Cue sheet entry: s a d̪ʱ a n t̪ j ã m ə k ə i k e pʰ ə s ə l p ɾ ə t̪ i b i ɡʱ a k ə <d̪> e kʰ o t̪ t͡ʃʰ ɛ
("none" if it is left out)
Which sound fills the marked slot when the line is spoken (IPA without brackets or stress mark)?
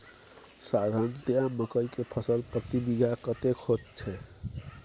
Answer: t̪